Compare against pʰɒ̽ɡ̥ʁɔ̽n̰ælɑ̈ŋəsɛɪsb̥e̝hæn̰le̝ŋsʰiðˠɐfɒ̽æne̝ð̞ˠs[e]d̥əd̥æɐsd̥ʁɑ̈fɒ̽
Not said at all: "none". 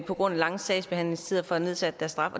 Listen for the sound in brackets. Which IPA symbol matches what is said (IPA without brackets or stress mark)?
æ